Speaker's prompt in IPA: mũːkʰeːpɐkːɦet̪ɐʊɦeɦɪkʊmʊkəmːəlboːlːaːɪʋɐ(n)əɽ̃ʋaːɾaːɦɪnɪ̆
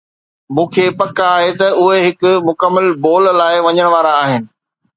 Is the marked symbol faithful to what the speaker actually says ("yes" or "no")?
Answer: no